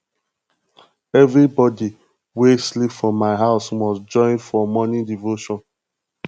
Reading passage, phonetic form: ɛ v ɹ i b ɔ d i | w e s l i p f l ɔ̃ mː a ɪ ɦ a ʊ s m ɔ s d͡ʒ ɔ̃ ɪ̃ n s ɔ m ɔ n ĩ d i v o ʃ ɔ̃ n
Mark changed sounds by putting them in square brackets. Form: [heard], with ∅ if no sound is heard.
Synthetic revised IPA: ɛ v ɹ i b ɔ d i | w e s l i p f [ɹ] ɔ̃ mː a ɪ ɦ a ʊ s m ɔ s d͡ʒ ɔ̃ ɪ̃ n [f] ɔ m ɔ n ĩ d i v o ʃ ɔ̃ n